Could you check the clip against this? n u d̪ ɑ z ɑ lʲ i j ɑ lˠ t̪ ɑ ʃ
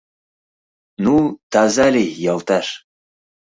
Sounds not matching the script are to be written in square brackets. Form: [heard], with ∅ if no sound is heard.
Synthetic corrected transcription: n u [t̪] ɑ z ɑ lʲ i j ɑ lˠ t̪ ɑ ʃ

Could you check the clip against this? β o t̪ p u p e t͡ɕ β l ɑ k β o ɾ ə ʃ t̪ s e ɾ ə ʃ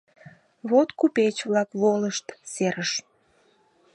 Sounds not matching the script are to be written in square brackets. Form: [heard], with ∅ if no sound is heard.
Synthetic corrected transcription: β o t̪ [k] u p e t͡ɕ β l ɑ k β o [l] ə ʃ t̪ s e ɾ ə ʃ

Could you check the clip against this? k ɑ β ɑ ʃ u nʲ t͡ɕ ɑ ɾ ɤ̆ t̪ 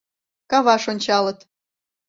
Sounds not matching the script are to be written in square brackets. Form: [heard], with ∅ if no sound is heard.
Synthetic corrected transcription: k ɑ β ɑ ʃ [o] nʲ t͡ɕ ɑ [l] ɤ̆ t̪

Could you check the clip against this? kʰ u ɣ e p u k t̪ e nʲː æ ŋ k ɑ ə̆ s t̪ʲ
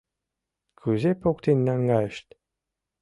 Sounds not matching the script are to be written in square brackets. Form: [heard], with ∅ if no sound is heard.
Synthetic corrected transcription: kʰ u [z] e p [o] k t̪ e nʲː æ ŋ [ɡ] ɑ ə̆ [ʃ] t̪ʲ

